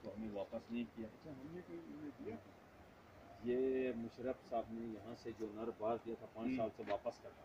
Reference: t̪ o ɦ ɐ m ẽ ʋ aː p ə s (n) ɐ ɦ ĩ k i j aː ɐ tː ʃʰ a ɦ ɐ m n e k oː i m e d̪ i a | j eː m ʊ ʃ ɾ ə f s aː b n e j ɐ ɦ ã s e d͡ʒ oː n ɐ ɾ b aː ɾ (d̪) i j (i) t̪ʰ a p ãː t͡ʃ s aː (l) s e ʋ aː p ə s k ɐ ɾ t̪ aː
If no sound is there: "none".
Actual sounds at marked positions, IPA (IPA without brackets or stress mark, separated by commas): n, d̪, a, l